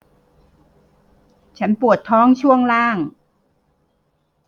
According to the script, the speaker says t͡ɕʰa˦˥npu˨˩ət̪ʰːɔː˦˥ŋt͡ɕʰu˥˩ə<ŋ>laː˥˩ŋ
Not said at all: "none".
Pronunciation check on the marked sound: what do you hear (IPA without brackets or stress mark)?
ŋ